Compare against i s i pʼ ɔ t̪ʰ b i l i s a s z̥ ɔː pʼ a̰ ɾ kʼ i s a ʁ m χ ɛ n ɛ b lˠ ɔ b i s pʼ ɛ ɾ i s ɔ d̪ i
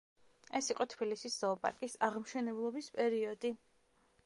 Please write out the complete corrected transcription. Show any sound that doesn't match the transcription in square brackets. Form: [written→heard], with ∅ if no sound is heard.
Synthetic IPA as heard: [i→ɛ] s i [pʼ→qʼ] ɔ t̪ʰ b i l i s [a→i] s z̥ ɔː pʼ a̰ ɾ kʼ i s a ʁ m [χ→ʃ] ɛ n ɛ b lˠ ɔ b i s pʼ ɛ ɾ i [s→∅] ɔ d̪ i